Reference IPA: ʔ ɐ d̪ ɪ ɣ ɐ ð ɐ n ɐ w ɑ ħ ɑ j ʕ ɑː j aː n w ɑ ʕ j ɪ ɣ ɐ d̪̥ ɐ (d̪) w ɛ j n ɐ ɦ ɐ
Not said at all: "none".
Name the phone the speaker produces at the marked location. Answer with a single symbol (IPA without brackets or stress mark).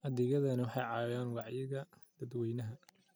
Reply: d̪